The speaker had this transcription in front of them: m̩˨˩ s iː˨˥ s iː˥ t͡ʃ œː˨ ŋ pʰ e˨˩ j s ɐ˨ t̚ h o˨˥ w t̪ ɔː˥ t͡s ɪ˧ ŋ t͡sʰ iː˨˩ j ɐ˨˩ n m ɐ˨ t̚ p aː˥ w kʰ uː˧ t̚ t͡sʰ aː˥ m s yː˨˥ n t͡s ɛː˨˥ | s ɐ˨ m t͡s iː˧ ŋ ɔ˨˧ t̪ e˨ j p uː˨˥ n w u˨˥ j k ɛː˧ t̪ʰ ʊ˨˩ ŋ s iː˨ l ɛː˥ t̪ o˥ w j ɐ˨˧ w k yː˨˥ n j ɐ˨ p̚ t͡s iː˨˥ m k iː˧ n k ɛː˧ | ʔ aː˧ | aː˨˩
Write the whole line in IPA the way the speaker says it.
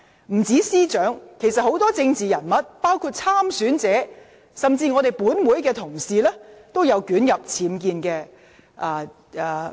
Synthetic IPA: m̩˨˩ t͡s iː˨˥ s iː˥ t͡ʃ œː˨˥ ŋ kʰ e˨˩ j s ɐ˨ t̚ h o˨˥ w t̪ ɔː˥ t͡s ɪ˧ ŋ t͡s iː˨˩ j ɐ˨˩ n m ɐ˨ t̚ p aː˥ w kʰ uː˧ t̚ t͡sʰ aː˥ m s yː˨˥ n t͡s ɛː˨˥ | s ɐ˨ m t͡s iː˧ ŋ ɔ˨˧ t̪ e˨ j p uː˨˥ n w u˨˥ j k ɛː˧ t̪ʰ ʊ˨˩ ŋ s iː˨ l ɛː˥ t̪ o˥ w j ɐ˨˧ w k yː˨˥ n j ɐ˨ p̚ t͡sʰ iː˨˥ m k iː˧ n k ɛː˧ | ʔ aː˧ | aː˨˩